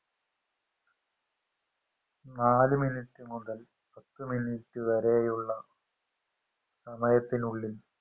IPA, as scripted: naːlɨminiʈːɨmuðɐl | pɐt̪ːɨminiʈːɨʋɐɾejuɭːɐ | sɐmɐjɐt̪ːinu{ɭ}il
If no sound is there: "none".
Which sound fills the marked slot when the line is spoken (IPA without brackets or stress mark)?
ɭː